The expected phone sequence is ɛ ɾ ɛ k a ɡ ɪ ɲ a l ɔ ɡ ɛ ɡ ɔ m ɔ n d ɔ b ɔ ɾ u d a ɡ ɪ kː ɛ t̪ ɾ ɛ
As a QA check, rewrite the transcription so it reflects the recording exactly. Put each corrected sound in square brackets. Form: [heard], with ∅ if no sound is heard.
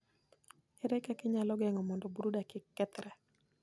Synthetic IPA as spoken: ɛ ɾ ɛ k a [k] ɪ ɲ a l ɔ ɡ ɛ [ŋ] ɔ m ɔ n d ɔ b [u] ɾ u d a [k] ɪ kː ɛ t̪ ɾ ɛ

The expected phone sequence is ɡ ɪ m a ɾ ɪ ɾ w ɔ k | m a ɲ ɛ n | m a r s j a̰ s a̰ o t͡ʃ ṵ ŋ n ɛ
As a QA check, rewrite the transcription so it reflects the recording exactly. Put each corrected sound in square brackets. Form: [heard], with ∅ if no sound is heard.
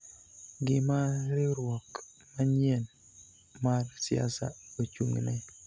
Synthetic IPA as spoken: ɡ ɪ m a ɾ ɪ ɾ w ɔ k | m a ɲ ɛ n | m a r s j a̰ s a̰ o t͡ʃ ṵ ŋ n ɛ

